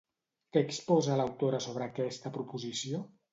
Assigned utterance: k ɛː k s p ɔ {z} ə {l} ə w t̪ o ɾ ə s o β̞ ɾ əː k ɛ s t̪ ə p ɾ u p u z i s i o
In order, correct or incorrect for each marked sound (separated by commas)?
correct, correct